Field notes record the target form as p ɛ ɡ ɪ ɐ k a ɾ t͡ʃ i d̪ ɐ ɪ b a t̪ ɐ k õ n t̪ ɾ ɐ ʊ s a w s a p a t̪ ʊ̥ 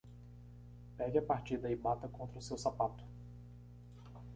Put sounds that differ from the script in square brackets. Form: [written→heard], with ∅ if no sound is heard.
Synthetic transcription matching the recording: p ɛ ɡ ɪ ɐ [k→p] a ɾ t͡ʃ i d̪ ɐ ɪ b a t̪ ɐ k õ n t̪ ɾ ɐ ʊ s [a→e] w s a p a t̪ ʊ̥